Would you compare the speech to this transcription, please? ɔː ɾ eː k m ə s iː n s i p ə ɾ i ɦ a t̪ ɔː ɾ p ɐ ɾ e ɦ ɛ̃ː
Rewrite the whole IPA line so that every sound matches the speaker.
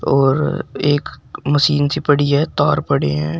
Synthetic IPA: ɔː ɾ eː k m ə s iː n s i p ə ɽ i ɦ ɛ t̪ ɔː ɾ p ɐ ɽ e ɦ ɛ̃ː